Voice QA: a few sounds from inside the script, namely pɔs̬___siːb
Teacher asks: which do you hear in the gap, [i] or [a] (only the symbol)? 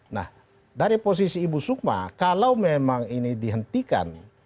i